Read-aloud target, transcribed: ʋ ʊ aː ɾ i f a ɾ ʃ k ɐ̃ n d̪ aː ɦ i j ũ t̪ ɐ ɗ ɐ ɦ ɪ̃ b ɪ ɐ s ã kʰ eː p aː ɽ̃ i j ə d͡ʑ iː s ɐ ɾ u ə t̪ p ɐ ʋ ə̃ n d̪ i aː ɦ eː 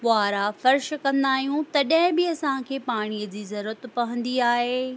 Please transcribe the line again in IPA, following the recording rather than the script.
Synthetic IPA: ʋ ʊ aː ɾ a f ɐ ɾ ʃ k ɐ̃ n d̪ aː ɦ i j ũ t̪ ɐ ɗ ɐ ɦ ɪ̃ b ɪ ɐ s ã kʰ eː p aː ɽ̃ i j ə d͡ʑ iː z ɐ ɾ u ə t̪ p ɐ ʋ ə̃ n d̪ i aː ɦ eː